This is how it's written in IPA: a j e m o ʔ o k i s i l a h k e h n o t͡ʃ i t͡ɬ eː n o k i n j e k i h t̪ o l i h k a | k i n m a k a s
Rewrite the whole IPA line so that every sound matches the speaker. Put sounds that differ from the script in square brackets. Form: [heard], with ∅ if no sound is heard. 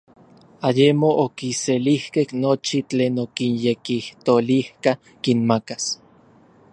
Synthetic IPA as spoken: a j e m o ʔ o k i s [e] l [i] h k e h n o t͡ʃ i t͡ɬ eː n o k i n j e k i h t̪ o l i h k a | k i n m a k a s

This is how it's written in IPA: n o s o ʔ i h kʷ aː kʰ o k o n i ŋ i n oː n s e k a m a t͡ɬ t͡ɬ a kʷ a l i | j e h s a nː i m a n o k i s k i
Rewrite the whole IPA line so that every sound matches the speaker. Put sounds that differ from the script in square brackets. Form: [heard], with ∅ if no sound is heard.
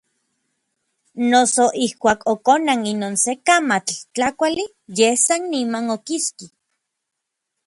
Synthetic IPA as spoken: n o s o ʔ i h kʷ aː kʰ o k o n [a] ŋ i n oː n s e k a m a t͡ɬ t͡ɬ a kʷ a l i | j e h s a nː i m a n o k i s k i

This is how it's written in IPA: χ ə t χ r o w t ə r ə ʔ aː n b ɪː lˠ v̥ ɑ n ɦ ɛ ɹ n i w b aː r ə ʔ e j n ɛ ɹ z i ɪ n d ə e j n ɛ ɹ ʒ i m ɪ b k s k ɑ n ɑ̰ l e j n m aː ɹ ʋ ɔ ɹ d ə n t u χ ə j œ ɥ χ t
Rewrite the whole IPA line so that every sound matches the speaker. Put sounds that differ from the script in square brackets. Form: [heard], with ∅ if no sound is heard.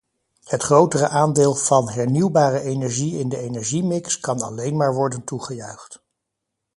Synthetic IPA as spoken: [h] ə t χ r o w t ə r ə ʔ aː n [d] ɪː lˠ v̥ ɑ n ɦ ɛ ɹ n i w b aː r ə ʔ e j n ɛ ɹ [ʒ] i ɪ n d ə e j n ɛ ɹ ʒ i m ɪ [∅] k s k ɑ n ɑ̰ l e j n m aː ɹ ʋ ɔ ɹ d ə n t u χ ə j œ ɥ χ t

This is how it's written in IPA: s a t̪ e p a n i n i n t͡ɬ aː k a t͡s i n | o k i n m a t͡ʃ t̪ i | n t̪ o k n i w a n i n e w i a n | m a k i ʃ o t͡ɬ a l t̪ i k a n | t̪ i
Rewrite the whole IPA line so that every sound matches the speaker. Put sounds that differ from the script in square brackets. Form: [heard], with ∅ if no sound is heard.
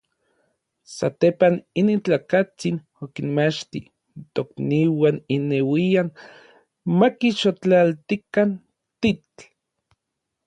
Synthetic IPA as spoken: s a t̪ e p a n i n i n t͡ɬ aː k a t͡s i n | o k i n m a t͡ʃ t̪ i | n t̪ o k n i w a n i n e w i a n | m a k i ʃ o t͡ɬ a l t̪ i k a n | t̪ i

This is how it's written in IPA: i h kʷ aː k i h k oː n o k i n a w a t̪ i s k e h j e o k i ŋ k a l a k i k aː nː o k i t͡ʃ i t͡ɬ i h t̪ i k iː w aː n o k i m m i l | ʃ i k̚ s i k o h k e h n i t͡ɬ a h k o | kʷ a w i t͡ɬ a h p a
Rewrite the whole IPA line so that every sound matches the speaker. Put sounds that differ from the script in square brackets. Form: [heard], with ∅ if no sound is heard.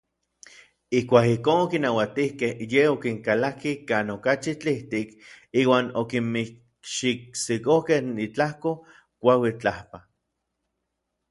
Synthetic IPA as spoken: i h kʷ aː k i h k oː n o k i n a w a t̪ i [h] k e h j e o k i ŋ k a l a k i k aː [n] o k [a] t͡ʃ i t͡ɬ i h t̪ i k iː w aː n o k i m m i [∅] | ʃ i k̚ s i k o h k e h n i t͡ɬ a h k o | kʷ a w i t͡ɬ a h p a

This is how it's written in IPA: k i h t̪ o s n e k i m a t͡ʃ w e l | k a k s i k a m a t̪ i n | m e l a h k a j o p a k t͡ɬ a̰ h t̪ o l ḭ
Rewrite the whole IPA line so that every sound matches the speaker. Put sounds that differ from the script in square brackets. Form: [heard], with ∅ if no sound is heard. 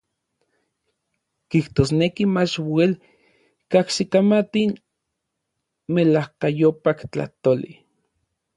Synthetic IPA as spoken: k i h t̪ o s n e k i m a t͡ʃ w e l | k a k s i k a m a t̪ i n | m e l a h k a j o p a k t͡ɬ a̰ h t̪ o l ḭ

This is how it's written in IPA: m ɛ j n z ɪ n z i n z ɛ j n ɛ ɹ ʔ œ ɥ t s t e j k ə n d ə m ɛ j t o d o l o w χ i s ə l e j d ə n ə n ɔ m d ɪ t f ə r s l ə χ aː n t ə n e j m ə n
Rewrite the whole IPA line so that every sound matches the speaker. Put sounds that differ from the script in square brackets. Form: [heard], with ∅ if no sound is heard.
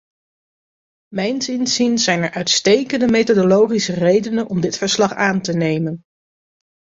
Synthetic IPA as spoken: m ɛ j n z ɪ n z i n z ɛ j n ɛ ɹ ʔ œ ɥ t s t e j k ə n d ə m [e] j t o d o l o w χ i s ə [r] e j d ə n ə n ɔ m d ɪ t f ə [ɹ] s l [ɑ] χ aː n t ə n e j m ə n

